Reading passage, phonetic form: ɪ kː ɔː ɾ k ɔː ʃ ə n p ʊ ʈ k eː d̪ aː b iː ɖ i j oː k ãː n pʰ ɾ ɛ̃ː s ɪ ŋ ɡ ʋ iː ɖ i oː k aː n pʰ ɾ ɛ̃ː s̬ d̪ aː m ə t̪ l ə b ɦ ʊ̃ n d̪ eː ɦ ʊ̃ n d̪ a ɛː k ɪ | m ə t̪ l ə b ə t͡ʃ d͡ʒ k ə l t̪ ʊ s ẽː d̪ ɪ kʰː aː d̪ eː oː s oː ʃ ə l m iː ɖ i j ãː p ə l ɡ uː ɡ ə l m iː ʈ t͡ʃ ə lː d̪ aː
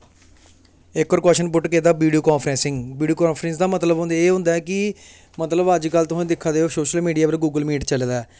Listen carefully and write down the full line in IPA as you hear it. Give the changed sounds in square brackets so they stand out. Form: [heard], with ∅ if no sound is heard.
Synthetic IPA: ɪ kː ɔː ɾ k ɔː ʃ ə n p ʊ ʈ k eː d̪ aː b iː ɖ i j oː k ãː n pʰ ɾ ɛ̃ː s ɪ ŋ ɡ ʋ iː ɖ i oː k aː n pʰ ɾ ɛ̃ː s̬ d̪ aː m ə t̪ l ə b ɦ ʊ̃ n d̪ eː ɦ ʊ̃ n d̪ a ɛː k ɪ | m ə t̪ l ə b ə [∅] d͡ʒ k ə l t̪ ʊ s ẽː d̪ ɪ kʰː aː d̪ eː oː s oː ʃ ə l m iː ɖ i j [aː] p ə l ɡ uː ɡ ə l m iː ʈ t͡ʃ ə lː d̪ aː